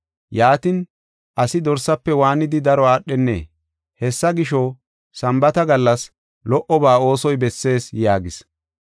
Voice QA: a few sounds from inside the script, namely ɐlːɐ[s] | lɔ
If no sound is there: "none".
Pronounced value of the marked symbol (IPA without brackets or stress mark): s